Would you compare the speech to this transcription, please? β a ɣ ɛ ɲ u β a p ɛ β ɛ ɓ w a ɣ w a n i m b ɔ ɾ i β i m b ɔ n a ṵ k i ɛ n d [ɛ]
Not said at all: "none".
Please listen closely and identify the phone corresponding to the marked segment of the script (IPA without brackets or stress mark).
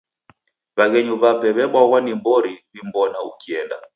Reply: a